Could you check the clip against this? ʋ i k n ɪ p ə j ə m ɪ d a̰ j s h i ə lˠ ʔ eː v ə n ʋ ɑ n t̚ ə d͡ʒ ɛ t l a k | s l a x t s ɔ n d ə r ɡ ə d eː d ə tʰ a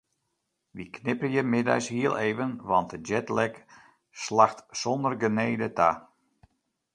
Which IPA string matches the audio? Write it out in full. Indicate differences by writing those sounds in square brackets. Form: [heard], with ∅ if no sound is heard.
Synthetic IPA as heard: ʋ i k n ɪ p ə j ə m ɪ d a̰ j s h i ə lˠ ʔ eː v ə n ʋ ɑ n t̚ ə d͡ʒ ɛ t l [ɛ] k | s l a x t s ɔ n d ə r ɡ ə [n] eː d ə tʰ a